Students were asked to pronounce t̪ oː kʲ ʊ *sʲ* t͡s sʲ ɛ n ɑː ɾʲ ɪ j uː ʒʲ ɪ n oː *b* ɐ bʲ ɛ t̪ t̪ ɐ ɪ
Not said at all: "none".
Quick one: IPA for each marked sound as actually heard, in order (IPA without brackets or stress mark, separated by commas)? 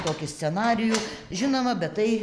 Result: sʲ, m